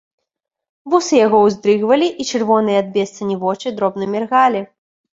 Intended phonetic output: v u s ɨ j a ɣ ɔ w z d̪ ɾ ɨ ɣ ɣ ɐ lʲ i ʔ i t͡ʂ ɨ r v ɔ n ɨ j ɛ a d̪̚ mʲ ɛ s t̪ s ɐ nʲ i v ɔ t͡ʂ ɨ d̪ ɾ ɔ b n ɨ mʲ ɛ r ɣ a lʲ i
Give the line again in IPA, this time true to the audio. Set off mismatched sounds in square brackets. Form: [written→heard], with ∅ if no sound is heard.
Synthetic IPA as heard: v u s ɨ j a ɣ ɔ w z d̪ ɾ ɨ ɣ [ɣ→v] ɐ lʲ i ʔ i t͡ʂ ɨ r v ɔ n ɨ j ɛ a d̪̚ [mʲ→bʲ] ɛ s t̪ s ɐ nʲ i v ɔ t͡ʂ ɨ d̪ ɾ ɔ b n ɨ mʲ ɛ r ɣ a lʲ i